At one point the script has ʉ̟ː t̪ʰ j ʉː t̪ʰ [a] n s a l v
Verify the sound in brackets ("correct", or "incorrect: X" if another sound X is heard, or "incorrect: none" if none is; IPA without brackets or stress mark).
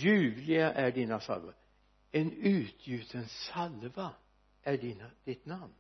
incorrect: ə